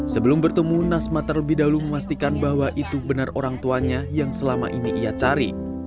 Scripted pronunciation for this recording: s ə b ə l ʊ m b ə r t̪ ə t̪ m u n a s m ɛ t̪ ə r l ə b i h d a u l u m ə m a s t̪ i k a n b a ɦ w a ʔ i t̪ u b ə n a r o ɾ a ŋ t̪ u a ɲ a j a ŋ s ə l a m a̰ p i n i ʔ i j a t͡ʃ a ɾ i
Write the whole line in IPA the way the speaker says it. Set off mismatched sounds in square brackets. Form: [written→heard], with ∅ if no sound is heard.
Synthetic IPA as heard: s ə b ə l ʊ m b ə r t̪ ə [t̪→∅] m u n a s m [ɛ→a] t̪ ə r l ə b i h d a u l u m ə m a s t̪ i k a n b a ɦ w a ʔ i t̪ u b ə n a r o ɾ a ŋ t̪ u a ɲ a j a ŋ s ə l a m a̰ [p→ʔ] i n i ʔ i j a t͡ʃ a ɾ i

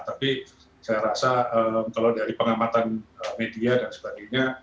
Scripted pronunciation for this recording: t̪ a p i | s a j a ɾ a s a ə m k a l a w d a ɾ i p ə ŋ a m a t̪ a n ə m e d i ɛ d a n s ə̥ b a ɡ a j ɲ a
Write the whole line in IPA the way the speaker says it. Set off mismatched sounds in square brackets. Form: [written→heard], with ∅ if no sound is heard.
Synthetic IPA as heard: t̪ a p i | s a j a ɾ a s a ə m k a l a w d a ɾ i p ə ŋ a m a t̪ a n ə m e d i [ɛ→a] d a n s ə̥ b a ɡ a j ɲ a

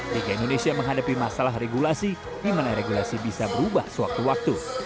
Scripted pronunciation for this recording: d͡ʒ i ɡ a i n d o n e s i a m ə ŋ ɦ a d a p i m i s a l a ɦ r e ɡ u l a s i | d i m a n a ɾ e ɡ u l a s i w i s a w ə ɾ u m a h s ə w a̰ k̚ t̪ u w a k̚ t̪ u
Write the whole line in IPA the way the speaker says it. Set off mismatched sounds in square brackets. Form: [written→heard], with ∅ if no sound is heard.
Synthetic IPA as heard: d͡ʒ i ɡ a i n d o n e s i a m ə ŋ ɦ a d a p i m [i→a] s a l a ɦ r e ɡ u l a s i | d i m a n a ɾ e ɡ u l a s i [w→b] i s a [w→b] ə ɾ u [m→b] a h s ə w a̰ k̚ t̪ u w a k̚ t̪ u

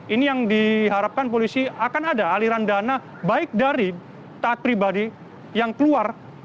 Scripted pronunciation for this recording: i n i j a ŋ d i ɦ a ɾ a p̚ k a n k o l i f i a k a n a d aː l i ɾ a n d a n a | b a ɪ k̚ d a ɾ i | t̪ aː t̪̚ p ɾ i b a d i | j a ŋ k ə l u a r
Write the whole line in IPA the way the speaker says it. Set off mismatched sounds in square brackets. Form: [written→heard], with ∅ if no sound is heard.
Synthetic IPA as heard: i n i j a ŋ d i ɦ a ɾ a p̚ k a n [k→p] o l i [f→s] i a k a n a d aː l i ɾ a n d a n a | b a ɪ k̚ d a ɾ i | t̪ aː t̪̚ p ɾ i b a d i | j a ŋ k ə l u a r

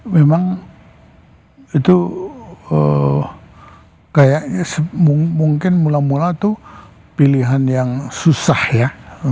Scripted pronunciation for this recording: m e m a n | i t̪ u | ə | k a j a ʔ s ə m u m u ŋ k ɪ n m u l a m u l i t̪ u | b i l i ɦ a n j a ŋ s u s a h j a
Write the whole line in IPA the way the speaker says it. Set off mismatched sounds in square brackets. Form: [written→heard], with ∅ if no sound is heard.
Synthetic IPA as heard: m e m a [n→ŋ] | i t̪ u | ə | k a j a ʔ s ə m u m u ŋ k ɪ n m u l a m u l [i→a] t̪ u | [b→p] i l i ɦ a n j a ŋ s u s a h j a

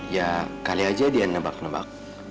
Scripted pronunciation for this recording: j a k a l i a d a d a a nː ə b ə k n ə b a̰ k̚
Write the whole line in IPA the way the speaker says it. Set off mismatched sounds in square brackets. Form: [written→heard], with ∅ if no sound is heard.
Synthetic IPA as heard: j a k a l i a [d→d͡ʒ] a d [a→i] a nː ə b [ə→a] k n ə b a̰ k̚

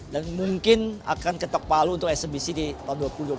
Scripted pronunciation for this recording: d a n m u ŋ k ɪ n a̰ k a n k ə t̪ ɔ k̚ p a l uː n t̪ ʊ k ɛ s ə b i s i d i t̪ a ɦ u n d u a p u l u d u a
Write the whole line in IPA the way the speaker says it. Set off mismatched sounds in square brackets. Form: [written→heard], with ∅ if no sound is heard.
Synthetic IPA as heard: d a n m u ŋ k ɪ n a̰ k a n k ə t̪ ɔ k̚ p a l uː n t̪ ʊ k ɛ s ə b i s i d i t̪ a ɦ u n d u a p u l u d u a

